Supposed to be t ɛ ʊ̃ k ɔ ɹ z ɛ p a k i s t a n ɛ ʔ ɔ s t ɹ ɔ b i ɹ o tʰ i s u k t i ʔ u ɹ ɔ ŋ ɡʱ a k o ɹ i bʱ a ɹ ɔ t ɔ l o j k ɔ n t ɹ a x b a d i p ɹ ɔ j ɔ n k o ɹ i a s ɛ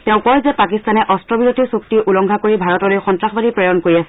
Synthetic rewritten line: t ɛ ʊ̃ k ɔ ɹ z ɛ p a k i s t a n ɛ ʔ ɔ s t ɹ ɔ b i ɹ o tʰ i s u k t i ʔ u l ɔ ŋ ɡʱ a k o ɹ i bʱ a ɹ ɔ t ɔ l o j x ɔ n t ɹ a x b a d i p ɹ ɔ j ɔ n k o ɹ i a s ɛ